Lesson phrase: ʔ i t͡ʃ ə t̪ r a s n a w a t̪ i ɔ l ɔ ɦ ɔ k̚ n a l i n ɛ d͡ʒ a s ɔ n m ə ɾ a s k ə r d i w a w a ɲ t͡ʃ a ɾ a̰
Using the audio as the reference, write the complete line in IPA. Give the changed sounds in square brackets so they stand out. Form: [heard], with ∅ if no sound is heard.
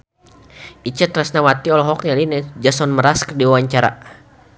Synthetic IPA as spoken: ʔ i t͡ʃ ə t̪ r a s n a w a t̪ i ɔ l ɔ ɦ ɔ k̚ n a l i n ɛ d͡ʒ a s ɔ n m ə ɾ a s k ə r d i w a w a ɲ t͡ʃ a ɾ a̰